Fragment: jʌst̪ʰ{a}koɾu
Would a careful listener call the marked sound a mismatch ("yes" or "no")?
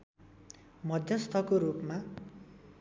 yes